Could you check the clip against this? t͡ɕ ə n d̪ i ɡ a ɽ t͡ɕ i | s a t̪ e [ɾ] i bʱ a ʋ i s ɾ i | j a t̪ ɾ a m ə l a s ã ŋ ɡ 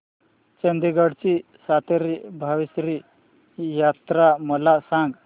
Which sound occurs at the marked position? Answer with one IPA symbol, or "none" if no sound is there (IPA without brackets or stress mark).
ɾ